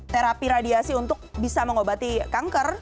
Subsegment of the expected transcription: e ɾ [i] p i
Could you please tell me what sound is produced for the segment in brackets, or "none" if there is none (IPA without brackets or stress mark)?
a